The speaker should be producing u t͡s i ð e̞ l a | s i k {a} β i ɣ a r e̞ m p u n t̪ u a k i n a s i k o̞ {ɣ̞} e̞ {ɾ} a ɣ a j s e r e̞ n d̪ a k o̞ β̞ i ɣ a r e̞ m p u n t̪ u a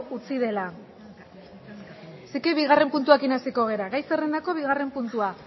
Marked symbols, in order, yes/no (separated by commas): no, yes, yes